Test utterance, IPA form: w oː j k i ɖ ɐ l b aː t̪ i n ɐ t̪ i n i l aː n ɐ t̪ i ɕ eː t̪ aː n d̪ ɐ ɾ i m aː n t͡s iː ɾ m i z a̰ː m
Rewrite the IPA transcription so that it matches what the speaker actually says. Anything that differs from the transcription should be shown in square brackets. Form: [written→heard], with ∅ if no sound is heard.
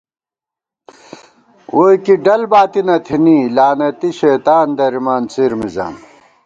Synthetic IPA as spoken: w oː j k i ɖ ɐ l b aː t̪ i n ɐ [t̪→t̪ʰ] i n i l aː n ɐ t̪ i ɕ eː t̪ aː n d̪ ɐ ɾ i m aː n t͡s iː ɾ m i z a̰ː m